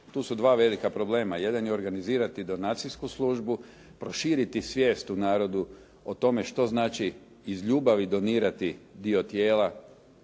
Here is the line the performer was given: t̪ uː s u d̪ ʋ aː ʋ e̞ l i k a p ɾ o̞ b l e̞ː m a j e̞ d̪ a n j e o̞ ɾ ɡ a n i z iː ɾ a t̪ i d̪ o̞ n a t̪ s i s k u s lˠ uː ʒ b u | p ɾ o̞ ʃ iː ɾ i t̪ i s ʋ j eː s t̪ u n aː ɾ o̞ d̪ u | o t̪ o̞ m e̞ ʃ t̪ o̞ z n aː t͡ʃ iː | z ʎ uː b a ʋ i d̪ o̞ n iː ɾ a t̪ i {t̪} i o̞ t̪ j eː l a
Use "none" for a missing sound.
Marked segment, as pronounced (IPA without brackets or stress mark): d̪